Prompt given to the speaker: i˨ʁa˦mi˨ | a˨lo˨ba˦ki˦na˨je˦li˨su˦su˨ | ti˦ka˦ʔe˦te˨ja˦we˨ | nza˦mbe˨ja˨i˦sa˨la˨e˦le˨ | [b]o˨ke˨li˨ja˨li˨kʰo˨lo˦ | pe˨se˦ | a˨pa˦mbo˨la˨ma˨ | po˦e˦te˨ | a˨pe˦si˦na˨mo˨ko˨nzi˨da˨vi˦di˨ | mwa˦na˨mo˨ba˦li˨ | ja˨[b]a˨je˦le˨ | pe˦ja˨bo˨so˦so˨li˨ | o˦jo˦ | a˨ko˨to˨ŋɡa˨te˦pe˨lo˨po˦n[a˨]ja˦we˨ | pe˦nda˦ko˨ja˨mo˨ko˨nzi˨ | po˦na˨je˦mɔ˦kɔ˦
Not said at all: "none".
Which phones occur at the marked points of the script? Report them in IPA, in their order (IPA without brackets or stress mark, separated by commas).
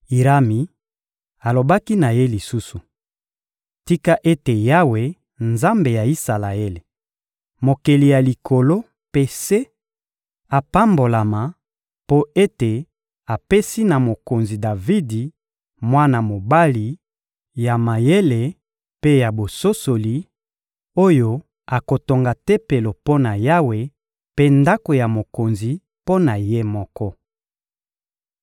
m, m, a˨